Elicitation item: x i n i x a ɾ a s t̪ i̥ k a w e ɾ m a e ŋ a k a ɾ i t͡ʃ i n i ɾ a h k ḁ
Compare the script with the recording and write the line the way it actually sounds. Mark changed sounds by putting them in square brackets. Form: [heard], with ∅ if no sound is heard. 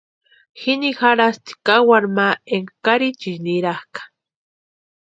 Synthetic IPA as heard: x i n i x a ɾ a s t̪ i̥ k a w [a] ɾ m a e ŋ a k a ɾ i t͡ʃ i n i ɾ a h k ḁ